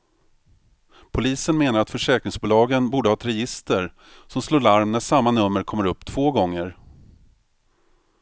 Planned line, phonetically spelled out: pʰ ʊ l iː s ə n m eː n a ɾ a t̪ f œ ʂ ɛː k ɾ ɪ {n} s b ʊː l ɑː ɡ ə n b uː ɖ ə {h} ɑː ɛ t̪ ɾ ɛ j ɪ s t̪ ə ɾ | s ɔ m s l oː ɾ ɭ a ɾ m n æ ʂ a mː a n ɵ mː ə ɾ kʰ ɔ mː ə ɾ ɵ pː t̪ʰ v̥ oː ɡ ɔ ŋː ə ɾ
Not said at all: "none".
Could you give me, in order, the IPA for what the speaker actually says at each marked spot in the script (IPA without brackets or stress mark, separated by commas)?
ŋ, h